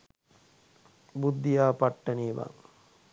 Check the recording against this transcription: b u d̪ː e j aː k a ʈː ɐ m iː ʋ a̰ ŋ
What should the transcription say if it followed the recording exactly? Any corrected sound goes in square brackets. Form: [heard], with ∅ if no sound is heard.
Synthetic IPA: b u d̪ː [i] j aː [p] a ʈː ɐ [n] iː ʋ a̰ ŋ